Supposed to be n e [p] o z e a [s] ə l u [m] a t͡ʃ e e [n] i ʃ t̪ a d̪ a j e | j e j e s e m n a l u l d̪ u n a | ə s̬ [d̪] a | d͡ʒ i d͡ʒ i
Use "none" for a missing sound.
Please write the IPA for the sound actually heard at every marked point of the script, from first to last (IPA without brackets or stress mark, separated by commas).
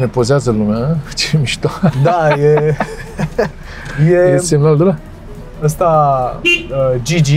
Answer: p, z, m, m, t̪